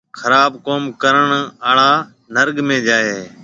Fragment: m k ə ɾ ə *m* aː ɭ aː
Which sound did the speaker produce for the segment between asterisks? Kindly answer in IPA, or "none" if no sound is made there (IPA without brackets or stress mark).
ɳ